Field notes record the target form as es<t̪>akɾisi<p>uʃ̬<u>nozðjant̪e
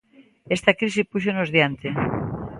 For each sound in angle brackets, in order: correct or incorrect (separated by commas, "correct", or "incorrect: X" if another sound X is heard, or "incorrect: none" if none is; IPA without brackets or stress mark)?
correct, correct, incorrect: o